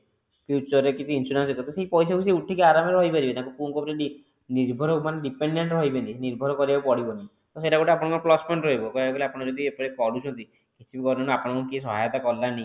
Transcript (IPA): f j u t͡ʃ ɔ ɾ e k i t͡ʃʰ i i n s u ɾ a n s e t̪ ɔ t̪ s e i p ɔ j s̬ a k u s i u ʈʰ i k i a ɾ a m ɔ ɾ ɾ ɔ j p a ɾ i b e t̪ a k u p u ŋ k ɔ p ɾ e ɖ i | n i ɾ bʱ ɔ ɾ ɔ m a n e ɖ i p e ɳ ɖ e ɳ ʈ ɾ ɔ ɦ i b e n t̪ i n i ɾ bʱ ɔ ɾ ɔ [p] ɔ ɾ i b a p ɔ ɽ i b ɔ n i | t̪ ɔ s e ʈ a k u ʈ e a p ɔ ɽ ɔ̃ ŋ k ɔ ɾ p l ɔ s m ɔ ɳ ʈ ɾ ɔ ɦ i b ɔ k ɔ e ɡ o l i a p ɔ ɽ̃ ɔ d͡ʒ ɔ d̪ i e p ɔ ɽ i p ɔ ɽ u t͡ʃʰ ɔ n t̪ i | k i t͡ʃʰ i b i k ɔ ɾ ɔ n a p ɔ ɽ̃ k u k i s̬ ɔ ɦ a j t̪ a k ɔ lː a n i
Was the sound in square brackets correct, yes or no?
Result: no